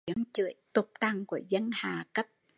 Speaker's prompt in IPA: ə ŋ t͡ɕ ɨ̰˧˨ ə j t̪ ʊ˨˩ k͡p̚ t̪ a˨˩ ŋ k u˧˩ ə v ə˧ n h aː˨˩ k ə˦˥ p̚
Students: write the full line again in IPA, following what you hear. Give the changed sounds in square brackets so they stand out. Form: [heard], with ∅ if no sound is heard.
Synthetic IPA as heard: ə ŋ t͡ɕ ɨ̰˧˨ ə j t̪ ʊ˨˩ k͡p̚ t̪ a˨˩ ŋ k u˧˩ ə [z] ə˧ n h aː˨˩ k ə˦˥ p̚